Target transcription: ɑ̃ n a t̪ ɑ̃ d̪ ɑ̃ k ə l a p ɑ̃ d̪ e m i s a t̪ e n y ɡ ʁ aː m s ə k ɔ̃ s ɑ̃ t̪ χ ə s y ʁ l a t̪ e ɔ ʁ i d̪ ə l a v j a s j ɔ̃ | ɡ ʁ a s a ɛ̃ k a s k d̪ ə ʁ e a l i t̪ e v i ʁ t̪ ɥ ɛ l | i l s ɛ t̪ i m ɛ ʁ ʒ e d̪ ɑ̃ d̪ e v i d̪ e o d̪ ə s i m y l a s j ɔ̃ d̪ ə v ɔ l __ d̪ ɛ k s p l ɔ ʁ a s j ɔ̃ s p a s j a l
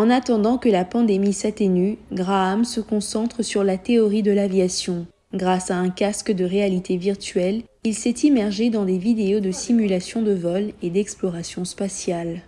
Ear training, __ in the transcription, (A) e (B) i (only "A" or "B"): A